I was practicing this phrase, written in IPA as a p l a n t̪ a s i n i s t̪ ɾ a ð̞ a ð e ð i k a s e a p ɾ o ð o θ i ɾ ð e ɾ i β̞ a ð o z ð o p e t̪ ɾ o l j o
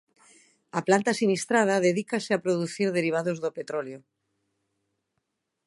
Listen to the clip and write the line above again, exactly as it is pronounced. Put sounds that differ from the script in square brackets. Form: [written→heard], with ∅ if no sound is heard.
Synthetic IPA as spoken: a p l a n t̪ a s i n i s t̪ ɾ a ð̞ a ð e ð i k a s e a p ɾ o ð [o→u] θ i ɾ ð e ɾ i β̞ a ð o z ð o p e t̪ ɾ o l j o